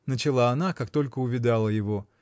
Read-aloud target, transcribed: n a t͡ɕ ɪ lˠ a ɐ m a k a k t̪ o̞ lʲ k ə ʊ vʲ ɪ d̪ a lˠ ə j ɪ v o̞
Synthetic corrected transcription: n ə t͡ɕ ɪ lˠ a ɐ n a k a k t̪ o̞ lʲ k ə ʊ vʲ ɪ d̪ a lˠ ə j ɪ v o̞